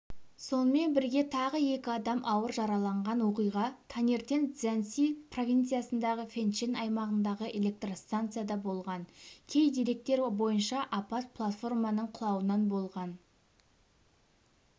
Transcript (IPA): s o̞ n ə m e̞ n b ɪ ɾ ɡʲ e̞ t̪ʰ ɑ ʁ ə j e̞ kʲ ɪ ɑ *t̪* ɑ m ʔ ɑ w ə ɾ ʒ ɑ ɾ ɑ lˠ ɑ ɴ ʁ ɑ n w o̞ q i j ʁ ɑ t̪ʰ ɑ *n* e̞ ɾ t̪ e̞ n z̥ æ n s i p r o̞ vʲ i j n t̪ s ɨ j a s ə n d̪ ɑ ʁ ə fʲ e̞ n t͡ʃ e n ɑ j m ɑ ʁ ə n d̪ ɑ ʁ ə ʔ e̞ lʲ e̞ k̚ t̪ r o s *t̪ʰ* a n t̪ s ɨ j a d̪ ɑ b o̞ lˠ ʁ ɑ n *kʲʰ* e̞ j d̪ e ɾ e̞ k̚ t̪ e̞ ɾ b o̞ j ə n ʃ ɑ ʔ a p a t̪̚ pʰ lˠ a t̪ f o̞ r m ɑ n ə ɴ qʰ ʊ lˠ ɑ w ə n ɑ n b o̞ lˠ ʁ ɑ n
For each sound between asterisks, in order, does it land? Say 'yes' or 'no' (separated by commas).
no, yes, no, yes